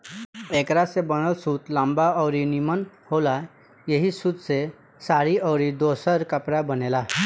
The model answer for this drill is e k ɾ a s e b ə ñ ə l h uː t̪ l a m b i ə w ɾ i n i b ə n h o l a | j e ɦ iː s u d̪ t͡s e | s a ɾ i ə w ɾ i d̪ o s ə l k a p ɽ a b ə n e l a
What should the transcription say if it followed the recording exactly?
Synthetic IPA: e k ɾ a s e b ə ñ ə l s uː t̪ l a m b a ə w ɾ i n i m ə n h o l a | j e ɦ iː s u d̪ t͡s e | s a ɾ i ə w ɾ i d̪ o s ə ɾ k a p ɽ a b ə n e l a